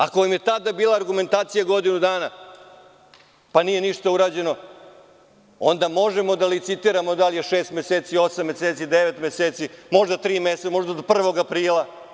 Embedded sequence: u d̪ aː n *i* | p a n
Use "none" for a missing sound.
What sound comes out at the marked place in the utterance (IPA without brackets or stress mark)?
a